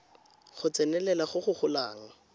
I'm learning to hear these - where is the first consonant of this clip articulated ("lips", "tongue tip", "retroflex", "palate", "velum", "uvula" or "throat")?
uvula